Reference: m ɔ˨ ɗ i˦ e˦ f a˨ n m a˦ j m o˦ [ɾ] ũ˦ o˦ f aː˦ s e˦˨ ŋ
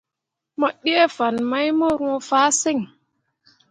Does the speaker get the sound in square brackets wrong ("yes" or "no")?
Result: no